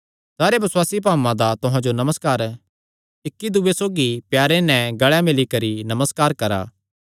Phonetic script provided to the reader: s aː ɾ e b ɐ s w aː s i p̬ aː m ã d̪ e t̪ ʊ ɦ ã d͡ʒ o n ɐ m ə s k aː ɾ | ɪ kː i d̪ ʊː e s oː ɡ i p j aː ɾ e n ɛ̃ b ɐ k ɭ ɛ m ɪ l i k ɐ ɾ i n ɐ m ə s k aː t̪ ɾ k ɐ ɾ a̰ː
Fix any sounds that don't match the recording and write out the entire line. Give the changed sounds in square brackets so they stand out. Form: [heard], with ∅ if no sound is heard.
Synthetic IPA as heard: s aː ɾ e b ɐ s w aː s i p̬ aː m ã d̪ [a] t̪ ʊ ɦ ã d͡ʒ o n ɐ m ə s k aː ɾ | ɪ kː i d̪ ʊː e s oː ɡ i p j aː ɾ e n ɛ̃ [ɡ] ɐ [∅] ɭ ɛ m ɪ l i k ɐ ɾ i n ɐ m ə s k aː [∅] ɾ k ɐ ɾ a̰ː